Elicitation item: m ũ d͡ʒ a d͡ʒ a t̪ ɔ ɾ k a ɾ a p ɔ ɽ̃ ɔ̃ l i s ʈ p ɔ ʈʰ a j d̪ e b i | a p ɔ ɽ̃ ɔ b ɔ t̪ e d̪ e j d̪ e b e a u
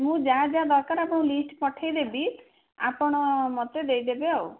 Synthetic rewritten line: m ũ d͡ʒ a d͡ʒ a d̪ ɔ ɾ k a ɾ a p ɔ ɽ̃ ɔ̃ l i s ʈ p ɔ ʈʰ a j d̪ e b i | a p ɔ ɽ̃ ɔ m ɔ t̪ e d̪ e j d̪ e b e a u